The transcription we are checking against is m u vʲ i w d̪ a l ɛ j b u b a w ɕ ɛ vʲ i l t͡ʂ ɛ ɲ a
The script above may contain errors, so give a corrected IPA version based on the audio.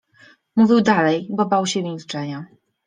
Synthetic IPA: m u vʲ i w d̪ a l ɛ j b ɔ b a w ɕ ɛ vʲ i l t͡ʂ ɛ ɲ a